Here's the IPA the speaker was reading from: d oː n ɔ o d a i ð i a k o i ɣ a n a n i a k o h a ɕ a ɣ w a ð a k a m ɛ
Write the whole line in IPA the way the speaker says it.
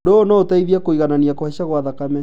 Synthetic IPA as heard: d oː n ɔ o t a i ð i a k o i ɣ a n a n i a k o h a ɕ a ɣ w a ð a k a m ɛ